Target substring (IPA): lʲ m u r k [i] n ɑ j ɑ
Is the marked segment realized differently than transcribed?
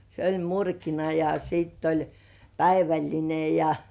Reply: no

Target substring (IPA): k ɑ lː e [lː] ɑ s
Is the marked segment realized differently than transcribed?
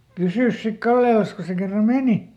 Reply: yes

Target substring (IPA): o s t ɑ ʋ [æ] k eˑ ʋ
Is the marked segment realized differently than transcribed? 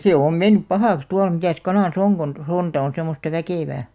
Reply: no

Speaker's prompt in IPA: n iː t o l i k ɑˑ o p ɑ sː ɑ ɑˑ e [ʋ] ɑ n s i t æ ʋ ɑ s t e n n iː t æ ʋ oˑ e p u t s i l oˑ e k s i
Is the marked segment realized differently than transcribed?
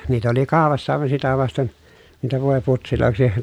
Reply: no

